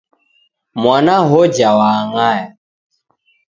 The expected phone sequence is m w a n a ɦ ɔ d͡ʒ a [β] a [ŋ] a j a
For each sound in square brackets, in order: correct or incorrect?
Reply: incorrect: w, correct

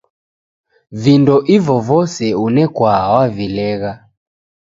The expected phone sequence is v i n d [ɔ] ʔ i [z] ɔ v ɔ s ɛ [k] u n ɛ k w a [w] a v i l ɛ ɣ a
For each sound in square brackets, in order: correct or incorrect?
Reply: correct, incorrect: v, incorrect: none, correct

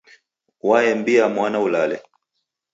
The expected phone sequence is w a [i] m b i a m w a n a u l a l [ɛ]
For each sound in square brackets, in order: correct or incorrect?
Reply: incorrect: ɛ, correct

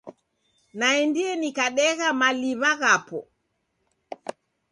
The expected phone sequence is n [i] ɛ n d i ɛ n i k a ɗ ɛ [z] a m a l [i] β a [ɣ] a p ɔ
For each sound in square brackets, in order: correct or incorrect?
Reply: incorrect: a, incorrect: ɣ, correct, correct

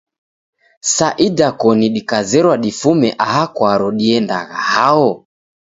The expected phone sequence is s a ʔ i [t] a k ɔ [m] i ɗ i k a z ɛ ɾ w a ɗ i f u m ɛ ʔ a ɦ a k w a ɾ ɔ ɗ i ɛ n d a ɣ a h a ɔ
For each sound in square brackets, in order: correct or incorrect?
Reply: incorrect: d, incorrect: n

